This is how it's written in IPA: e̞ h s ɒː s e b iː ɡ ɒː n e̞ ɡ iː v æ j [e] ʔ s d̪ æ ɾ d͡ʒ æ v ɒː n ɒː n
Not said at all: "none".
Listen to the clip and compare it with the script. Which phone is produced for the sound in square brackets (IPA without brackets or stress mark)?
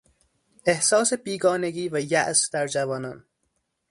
æ